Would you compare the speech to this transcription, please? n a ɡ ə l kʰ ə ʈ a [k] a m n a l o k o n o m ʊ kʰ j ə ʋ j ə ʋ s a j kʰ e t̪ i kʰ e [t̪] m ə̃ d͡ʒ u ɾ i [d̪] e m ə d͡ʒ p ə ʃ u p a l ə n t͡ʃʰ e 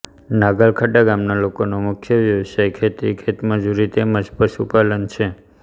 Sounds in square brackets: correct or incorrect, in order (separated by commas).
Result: incorrect, correct, incorrect